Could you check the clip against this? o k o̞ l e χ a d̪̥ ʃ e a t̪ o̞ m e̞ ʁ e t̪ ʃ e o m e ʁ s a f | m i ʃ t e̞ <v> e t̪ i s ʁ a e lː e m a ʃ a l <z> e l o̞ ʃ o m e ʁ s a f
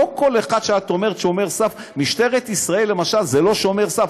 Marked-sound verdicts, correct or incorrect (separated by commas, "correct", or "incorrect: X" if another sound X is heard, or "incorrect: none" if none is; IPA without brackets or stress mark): incorrect: ʁ, correct